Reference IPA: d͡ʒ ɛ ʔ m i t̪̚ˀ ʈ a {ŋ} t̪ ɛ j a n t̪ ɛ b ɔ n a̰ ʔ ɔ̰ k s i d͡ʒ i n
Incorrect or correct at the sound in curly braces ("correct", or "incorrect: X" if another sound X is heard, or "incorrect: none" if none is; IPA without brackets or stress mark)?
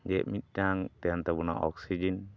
correct